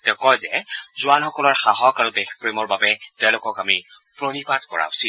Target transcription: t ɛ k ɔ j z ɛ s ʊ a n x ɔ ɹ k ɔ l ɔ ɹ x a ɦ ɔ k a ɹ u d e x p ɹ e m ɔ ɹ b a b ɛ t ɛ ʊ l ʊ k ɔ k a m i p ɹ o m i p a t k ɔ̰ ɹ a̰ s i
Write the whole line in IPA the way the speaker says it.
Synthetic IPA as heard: t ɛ k ɔ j z ɛ z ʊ a n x ɔ k ɔ l ɔ ɹ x a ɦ ɔ k a ɹ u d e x p ɹ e m ɔ ɹ b a b ɛ t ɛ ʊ l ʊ k ɔ k a m i p ɹ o n i p a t k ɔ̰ ɹ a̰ s i